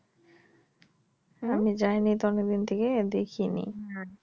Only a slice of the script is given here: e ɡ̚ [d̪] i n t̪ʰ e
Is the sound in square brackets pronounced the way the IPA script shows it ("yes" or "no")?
yes